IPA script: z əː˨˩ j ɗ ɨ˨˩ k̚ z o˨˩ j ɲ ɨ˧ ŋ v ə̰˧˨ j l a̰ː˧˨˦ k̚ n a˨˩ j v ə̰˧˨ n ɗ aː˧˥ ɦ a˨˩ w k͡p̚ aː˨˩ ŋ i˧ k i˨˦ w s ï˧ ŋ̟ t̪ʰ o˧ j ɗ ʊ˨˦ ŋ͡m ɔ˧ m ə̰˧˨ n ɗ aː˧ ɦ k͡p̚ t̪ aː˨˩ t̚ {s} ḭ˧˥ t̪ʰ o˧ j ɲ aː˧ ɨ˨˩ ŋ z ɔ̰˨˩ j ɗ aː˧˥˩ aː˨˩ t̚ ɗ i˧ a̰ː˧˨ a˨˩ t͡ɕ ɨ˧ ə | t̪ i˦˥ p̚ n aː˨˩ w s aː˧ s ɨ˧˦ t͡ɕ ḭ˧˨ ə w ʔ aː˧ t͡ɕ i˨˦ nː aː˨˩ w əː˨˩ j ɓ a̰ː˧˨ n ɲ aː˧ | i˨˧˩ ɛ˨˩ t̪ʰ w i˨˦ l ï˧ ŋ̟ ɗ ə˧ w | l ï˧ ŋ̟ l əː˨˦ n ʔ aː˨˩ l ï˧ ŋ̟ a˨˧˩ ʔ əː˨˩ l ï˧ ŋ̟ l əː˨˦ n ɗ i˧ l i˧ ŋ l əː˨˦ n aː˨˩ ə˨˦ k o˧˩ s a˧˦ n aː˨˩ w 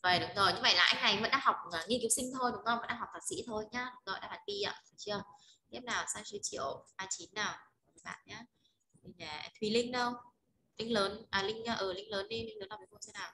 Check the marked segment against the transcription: correct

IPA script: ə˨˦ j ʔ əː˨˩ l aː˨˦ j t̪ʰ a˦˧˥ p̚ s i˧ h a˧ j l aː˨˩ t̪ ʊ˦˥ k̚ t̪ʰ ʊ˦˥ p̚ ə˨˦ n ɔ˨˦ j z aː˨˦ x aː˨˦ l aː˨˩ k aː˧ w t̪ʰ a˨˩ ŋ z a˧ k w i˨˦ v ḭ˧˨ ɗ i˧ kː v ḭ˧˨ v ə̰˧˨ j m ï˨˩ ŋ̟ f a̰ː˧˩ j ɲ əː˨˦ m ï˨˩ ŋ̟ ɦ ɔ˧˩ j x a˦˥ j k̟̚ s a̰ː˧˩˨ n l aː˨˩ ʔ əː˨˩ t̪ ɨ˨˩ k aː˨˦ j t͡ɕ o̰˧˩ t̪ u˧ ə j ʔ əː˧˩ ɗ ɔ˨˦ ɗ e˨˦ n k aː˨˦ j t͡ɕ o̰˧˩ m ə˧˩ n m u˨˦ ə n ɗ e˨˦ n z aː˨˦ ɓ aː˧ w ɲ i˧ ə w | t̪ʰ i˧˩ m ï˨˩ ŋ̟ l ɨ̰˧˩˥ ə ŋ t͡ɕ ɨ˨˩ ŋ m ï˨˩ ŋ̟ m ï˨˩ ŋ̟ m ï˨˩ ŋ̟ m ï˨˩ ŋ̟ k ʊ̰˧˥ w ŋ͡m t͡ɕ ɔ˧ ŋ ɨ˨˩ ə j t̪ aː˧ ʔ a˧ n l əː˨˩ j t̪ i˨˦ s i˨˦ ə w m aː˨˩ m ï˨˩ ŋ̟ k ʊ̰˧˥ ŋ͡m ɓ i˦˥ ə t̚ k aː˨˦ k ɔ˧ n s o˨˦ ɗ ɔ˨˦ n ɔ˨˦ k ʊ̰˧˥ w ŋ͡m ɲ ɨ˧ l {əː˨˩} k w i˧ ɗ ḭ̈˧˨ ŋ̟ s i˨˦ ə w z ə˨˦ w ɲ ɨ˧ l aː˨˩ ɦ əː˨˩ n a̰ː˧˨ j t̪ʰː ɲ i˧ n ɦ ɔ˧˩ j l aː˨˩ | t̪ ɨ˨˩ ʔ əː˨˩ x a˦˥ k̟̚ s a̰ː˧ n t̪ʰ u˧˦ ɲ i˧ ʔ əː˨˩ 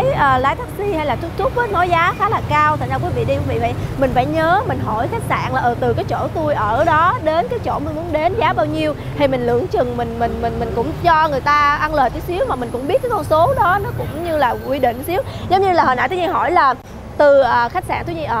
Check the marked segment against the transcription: incorrect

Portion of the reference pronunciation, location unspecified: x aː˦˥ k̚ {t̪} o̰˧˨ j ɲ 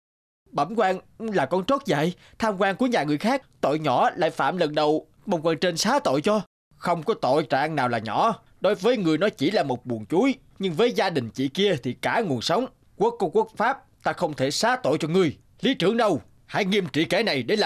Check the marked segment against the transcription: correct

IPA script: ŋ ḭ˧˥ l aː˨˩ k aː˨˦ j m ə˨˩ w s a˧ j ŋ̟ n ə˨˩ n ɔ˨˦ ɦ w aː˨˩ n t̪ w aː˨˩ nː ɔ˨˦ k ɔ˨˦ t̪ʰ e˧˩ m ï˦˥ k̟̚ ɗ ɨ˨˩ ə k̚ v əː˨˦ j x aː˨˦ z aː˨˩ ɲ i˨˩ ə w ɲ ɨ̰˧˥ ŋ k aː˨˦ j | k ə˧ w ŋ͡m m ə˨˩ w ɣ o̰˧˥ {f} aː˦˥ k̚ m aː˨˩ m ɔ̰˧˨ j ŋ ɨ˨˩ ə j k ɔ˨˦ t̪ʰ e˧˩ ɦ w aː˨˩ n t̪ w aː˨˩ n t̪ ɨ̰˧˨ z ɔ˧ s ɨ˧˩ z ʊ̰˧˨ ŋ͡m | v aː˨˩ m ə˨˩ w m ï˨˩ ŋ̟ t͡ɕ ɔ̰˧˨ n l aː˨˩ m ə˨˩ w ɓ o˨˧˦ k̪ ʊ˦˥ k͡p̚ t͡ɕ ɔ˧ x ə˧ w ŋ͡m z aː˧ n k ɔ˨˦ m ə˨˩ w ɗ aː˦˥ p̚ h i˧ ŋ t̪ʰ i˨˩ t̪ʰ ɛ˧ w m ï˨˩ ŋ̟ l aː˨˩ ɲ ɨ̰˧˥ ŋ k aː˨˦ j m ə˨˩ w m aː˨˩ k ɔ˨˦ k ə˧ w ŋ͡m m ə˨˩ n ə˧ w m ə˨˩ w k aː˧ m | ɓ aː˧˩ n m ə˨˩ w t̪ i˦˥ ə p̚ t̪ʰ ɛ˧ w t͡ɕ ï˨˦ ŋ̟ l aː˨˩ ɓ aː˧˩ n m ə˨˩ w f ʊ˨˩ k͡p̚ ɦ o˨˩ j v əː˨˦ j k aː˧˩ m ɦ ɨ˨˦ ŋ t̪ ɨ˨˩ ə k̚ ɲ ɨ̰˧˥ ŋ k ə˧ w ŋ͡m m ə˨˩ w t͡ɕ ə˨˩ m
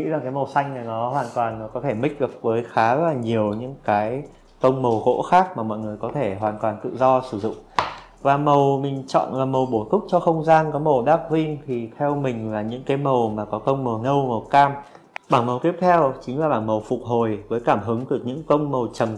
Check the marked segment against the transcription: incorrect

